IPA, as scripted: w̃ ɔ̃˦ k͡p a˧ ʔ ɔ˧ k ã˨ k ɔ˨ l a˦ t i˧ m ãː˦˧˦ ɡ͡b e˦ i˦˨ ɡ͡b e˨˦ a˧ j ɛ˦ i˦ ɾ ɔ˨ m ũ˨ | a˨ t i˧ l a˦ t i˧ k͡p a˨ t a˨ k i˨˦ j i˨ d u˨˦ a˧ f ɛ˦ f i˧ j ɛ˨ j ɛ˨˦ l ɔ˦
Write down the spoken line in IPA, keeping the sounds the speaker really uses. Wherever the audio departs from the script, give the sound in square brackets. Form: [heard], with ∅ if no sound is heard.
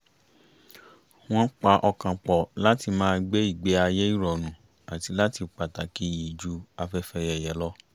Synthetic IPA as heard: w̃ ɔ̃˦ k͡p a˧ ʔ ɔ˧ k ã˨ [k͡p] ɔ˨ l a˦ t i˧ m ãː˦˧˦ ɡ͡b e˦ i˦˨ ɡ͡b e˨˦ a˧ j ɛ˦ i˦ ɾ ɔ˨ [n] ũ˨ | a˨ t i˧ l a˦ t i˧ k͡p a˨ t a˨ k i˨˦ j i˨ [d͡ʒ] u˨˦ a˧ f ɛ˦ f [ɛ˧] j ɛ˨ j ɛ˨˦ l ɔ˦